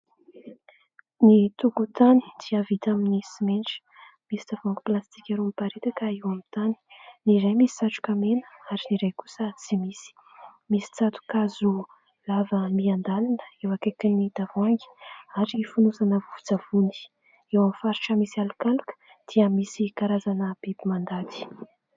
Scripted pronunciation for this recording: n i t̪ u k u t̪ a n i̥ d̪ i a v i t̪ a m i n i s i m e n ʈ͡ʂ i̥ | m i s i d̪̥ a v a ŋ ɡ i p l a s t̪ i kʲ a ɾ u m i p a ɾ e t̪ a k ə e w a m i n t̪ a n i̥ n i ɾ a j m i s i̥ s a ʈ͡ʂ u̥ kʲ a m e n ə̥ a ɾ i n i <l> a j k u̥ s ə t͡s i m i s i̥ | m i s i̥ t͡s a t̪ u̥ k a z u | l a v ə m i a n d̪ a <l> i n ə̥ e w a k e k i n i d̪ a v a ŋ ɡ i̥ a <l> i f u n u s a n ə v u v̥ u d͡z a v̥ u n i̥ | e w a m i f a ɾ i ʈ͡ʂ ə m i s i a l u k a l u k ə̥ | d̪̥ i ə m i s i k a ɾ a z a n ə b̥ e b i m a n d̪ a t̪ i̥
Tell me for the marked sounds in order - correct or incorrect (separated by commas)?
incorrect, correct, incorrect